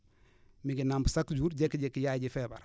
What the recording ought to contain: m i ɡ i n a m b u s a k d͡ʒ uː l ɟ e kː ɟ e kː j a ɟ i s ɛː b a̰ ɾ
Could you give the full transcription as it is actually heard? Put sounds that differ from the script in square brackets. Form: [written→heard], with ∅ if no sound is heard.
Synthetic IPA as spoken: m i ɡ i n a m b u s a k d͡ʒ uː [l→ɾ] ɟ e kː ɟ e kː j a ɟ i [s→f] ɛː b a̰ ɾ